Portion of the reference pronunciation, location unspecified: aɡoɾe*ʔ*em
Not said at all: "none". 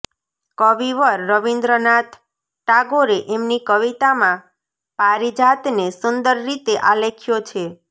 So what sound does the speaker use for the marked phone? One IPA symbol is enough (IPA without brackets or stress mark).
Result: ʔ